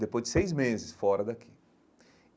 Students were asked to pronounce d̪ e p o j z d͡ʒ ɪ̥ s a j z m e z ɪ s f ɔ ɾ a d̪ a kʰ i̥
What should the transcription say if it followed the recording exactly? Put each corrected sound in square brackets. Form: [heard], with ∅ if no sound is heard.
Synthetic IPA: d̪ e p o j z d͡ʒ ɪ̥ s [e] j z m e z ɪ s f ɔ ɾ [ɐ] d̪ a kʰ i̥